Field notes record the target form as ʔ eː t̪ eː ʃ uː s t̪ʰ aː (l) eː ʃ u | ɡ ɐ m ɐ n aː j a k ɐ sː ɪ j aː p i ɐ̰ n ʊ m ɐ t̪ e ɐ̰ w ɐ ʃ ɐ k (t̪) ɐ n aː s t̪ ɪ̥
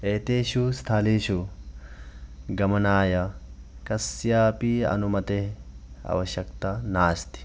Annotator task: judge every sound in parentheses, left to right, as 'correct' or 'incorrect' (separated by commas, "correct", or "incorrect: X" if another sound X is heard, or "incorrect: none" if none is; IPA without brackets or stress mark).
correct, correct